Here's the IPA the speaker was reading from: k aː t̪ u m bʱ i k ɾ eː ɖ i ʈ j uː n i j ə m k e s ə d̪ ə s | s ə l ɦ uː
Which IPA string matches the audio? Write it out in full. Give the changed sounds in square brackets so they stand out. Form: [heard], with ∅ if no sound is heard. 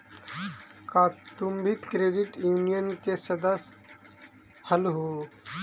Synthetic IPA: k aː t̪ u m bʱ i k ɾ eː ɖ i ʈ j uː n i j ə [n] k e s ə d̪ ə s | [h] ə l ɦ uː